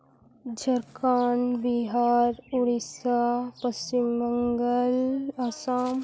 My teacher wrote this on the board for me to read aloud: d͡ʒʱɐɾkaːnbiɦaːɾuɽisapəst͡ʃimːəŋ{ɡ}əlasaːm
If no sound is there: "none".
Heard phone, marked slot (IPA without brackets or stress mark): ɡ